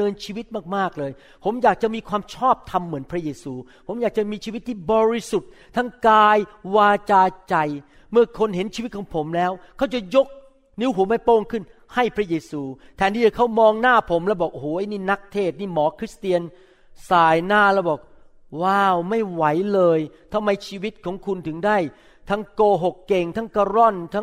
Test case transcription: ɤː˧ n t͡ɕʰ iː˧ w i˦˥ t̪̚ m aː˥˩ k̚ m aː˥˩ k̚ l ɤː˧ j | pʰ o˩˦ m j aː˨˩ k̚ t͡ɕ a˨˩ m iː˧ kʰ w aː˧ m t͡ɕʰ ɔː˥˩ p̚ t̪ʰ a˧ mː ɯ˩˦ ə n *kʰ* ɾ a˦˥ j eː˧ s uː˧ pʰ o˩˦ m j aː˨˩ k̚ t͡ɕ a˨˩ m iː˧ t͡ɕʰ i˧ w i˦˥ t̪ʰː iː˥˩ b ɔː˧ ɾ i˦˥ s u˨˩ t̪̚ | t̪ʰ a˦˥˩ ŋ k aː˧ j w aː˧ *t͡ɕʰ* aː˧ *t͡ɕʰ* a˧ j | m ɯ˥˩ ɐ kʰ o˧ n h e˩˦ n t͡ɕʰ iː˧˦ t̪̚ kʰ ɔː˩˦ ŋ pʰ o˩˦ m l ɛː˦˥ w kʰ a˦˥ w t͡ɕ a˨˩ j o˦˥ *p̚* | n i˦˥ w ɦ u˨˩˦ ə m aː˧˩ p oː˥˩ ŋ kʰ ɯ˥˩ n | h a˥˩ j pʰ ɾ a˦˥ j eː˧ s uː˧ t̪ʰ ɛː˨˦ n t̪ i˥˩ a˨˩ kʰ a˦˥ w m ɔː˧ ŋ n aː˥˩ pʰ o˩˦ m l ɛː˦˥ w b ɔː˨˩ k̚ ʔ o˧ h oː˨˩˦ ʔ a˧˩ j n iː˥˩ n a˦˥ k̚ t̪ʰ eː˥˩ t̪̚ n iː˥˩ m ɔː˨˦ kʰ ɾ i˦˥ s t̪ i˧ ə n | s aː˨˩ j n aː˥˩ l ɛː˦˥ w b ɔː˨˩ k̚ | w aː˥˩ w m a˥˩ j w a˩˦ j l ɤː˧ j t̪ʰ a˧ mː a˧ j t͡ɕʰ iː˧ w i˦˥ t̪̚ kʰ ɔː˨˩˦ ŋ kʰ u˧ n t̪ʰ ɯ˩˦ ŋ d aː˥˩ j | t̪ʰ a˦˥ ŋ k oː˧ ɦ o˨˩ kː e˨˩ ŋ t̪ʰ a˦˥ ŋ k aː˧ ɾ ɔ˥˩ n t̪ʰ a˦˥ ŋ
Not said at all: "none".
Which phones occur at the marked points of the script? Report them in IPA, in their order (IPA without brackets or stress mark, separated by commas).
pʰ, t͡ɕ, t͡ɕ, k̚